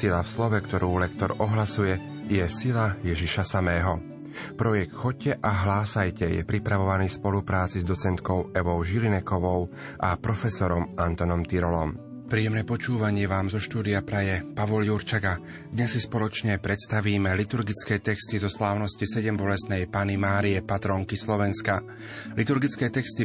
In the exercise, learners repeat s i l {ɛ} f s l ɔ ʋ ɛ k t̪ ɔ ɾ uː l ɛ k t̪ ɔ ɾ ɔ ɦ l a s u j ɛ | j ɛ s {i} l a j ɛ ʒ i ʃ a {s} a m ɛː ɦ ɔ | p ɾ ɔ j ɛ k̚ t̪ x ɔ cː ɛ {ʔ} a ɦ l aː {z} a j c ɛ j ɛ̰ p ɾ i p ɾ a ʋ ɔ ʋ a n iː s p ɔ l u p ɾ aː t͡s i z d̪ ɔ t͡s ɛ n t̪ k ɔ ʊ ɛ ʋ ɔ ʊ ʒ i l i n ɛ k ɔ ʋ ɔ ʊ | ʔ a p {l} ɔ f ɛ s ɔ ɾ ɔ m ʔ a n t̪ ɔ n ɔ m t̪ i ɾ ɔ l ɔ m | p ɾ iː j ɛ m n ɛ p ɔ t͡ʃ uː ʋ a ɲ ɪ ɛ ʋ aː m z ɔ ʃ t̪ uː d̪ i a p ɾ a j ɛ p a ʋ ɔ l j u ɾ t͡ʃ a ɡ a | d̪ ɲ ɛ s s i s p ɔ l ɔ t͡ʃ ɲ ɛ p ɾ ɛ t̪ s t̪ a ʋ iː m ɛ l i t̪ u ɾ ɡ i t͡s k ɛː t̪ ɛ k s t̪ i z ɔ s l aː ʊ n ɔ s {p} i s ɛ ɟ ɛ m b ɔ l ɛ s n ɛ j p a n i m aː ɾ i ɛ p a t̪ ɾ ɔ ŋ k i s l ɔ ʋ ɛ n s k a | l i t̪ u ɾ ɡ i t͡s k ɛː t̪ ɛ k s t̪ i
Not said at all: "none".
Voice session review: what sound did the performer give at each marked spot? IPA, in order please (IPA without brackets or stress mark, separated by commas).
a, i, s, ʔ, s, ɾ, c